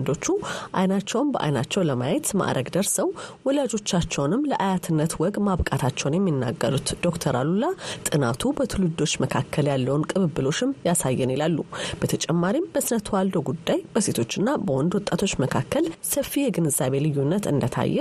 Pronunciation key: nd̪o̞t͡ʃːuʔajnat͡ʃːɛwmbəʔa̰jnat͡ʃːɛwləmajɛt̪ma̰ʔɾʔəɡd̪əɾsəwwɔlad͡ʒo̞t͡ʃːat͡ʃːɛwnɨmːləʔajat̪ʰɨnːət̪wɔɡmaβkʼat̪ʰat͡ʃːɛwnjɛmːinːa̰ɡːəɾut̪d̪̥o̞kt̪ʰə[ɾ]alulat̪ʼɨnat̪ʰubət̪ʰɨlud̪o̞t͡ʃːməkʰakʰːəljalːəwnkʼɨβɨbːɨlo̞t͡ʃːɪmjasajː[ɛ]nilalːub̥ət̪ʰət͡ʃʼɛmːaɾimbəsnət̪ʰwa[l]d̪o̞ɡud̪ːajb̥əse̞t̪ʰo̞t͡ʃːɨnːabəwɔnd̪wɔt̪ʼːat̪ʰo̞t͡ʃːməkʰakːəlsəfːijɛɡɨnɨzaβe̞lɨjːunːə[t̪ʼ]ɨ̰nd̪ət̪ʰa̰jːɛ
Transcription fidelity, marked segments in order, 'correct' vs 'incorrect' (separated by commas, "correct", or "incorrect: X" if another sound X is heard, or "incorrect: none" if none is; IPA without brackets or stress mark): correct, correct, correct, incorrect: t̪